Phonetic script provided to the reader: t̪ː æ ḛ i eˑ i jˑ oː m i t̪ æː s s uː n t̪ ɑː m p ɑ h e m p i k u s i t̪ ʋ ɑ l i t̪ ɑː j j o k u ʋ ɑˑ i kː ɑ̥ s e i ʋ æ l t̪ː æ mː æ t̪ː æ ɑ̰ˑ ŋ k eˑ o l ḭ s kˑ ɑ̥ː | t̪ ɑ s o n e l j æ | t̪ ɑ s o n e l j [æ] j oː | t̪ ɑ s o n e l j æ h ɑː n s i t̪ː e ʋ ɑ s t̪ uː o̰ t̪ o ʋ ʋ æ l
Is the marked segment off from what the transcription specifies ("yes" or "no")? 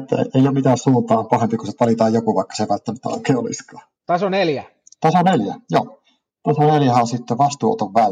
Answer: no